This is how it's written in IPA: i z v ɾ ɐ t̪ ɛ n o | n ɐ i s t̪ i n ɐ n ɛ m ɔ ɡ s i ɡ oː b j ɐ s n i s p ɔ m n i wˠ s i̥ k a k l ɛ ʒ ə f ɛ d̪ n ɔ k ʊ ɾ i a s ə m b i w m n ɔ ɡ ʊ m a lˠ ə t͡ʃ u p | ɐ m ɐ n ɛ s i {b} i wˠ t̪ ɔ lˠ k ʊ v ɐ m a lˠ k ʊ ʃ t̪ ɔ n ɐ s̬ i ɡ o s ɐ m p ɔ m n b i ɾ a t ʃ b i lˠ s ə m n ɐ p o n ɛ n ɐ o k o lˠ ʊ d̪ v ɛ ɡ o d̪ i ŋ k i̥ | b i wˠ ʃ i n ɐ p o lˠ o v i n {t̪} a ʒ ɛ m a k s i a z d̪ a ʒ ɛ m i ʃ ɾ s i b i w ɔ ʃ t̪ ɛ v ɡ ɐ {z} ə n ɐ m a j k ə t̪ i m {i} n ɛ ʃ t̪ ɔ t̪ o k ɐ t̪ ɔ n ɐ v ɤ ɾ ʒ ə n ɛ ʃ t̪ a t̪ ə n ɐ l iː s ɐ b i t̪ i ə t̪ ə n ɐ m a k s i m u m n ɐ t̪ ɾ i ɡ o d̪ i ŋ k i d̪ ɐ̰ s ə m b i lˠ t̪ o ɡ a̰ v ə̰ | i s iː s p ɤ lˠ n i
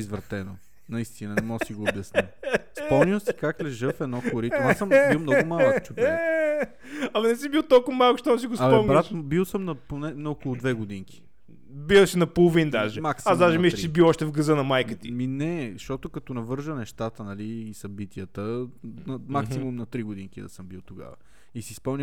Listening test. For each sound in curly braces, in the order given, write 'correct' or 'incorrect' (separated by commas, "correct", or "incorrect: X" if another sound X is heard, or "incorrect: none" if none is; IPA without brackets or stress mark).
correct, incorrect: d̪, correct, correct